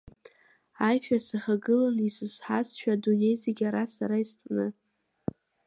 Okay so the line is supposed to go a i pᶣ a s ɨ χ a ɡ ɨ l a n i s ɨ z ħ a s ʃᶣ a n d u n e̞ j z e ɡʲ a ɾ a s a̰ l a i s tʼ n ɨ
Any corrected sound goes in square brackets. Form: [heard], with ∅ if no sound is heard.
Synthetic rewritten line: a [j] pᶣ a s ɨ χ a ɡ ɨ l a n i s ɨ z ħ a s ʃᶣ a [∅] d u n e̞ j z e ɡʲ a ɾ a s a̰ [ɾ] a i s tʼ n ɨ